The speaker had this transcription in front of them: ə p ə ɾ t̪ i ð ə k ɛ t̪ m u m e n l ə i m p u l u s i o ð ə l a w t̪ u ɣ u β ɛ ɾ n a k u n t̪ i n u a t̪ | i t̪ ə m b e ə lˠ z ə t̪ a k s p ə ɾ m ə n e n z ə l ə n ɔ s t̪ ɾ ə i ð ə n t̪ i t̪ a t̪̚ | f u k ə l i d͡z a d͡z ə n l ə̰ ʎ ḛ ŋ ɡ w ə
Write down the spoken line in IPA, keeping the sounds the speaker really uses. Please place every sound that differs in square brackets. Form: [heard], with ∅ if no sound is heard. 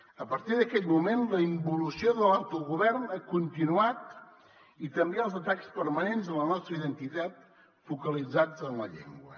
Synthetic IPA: ə p ə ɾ t̪ i ð ə k ɛ t̪ m u m e n l ə i m [b] u l u s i o ð ə l a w t̪ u ɣ u β ɛ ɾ n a k u n t̪ i n u a t̪ | i t̪ ə m b e ə lˠ z ə t̪ a k s p ə ɾ m ə n e n z ə l ə n ɔ s t̪ ɾ ə i ð ə n t̪ i t̪ a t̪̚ | f u k ə l i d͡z a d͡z ə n l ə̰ ʎ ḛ ŋ ɡ w ə